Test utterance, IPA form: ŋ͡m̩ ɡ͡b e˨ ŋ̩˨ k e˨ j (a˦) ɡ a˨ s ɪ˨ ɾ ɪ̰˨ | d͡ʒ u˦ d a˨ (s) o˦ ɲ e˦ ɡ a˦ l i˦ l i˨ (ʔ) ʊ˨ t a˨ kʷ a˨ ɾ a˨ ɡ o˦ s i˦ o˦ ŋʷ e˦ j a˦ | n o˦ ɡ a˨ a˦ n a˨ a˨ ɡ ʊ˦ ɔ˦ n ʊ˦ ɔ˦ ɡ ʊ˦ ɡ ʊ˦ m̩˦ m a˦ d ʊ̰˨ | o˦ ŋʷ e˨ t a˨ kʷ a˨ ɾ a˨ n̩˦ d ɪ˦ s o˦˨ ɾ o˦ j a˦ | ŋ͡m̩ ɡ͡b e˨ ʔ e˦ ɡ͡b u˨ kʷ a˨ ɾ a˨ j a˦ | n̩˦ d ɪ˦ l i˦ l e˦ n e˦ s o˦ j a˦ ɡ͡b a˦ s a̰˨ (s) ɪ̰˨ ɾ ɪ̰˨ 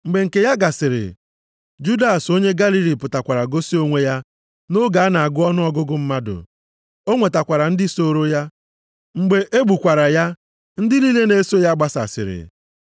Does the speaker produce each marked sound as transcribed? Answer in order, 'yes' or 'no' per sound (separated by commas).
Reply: yes, yes, no, yes